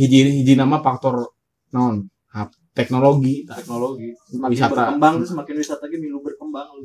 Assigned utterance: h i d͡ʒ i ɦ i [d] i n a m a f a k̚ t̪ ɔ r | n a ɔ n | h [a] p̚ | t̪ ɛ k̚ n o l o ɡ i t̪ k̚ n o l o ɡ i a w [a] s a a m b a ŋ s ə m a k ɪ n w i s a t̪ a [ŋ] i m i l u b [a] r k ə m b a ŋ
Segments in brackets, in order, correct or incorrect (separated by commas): incorrect, correct, incorrect, incorrect, incorrect